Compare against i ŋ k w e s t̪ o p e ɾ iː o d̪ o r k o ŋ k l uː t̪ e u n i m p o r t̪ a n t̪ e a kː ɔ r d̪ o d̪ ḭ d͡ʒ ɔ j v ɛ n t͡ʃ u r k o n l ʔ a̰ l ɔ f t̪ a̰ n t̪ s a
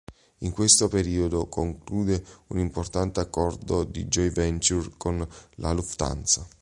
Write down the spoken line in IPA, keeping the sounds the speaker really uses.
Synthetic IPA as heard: i ŋ k w e s t̪ o p e ɾ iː o d̪ o k o ŋ k l uː d̪ e u n i m p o r t̪ a n t̪ e a kː ɔ r d̪ o d̪ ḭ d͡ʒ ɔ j v ɛ n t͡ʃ u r k o n l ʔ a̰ l u f t̪ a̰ n t̪ s a

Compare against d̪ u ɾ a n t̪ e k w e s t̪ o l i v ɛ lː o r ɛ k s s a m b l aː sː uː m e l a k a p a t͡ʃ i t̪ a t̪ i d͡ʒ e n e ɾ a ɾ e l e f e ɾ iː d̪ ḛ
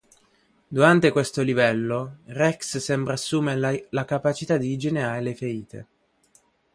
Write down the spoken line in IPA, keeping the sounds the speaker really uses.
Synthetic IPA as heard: d̪ u ɾ a n t̪ e k w e s t̪ o l i v ɛ lː o r ɛ k s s ɛ m b ɾ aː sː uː m e l a k a p a t͡ʃ i t̪ a d̪ i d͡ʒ e n e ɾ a ɾ e l e f e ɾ iː t̪ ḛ

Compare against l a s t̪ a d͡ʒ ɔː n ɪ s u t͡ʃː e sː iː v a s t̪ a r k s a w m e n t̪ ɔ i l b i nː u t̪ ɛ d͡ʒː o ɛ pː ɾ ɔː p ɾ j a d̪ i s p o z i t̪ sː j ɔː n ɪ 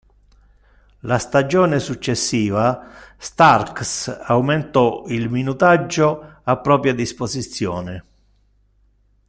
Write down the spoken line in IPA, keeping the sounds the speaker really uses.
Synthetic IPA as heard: l a s t̪ a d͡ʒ ɔː n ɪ s u t͡ʃː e sː iː v a s t̪ a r k s a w m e n t̪ ɔ i l m i n u t̪ a d͡ʒː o a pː ɾ ɔː p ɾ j a d̪ i s p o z i t̪ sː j ɔː n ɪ

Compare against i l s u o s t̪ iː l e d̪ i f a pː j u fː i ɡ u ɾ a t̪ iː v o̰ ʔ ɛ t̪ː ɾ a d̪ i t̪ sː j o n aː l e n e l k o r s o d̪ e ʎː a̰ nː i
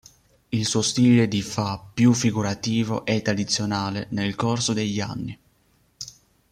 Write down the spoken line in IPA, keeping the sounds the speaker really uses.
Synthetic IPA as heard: i l s u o s t̪ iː l e d̪ i f a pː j u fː i ɡ u ɾ a t̪ iː v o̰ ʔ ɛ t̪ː ɾ a d̪ i t̪ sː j o n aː l e n e l k o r s o d̪ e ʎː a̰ nː i

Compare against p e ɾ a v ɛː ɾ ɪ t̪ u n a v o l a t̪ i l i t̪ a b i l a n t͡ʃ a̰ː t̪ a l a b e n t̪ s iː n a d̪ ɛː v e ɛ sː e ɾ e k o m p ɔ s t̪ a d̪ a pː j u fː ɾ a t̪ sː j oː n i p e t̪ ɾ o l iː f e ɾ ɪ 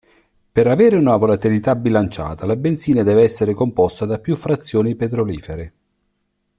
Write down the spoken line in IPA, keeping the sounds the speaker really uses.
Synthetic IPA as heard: p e ɾ a v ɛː ɾ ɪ u n a v o l a t̪ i l i t̪ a b i l a n t͡ʃ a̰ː t̪ a l a b e n t̪ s iː n a d̪ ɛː v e ɛ sː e ɾ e k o m p ɔ s t̪ a d̪ a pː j u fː ɾ a t̪ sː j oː n i p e t̪ ɾ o l iː f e ɾ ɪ

